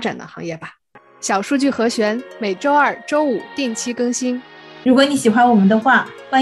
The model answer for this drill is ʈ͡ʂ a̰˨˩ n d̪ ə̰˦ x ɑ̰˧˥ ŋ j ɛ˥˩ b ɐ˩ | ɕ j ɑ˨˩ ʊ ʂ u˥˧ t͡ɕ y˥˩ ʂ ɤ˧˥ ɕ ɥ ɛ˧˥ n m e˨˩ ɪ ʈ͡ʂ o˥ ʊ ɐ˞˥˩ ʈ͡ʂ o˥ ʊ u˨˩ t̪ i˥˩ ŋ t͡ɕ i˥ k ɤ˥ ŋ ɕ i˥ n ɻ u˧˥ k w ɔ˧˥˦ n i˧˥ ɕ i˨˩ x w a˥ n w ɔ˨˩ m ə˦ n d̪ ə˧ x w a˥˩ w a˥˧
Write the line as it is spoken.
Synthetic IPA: ʈ͡ʂ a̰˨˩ n d̪ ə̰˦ x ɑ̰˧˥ ŋ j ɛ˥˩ b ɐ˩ | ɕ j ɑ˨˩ ʊ ʂ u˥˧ t͡ɕ y˥˩ x ɤ˧˥ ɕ ɥ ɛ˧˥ n m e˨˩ ɪ ʈ͡ʂ o˥ ʊ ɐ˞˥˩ ʈ͡ʂ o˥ ʊ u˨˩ t̪ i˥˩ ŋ t͡ɕʰ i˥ k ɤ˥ ŋ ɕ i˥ n ɻ u˧˥ k w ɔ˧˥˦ n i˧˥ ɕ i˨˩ x w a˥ n w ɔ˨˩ m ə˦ n d̪ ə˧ x w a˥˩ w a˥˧